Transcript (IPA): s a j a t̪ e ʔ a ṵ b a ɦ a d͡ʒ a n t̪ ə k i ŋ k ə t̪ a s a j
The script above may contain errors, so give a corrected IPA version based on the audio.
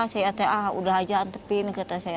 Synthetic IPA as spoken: s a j a t̪ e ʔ a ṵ d a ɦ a d͡ʒ a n t̪ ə p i n k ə t̪ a s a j